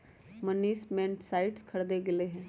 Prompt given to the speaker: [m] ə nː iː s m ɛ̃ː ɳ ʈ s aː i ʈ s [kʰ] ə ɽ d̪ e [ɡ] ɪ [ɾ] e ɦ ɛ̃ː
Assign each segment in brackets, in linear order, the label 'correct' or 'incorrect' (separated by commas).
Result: correct, correct, correct, incorrect